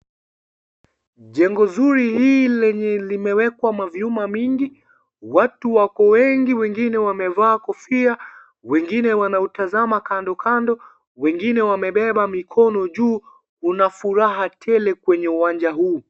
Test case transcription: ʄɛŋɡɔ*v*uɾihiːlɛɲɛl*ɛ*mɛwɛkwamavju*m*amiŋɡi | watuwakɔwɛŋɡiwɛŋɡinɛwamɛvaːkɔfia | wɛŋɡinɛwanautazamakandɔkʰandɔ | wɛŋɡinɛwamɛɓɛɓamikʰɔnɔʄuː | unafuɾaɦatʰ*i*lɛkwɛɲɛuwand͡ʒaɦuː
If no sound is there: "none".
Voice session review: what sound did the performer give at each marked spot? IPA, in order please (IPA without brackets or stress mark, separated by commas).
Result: z, i, m, ɛ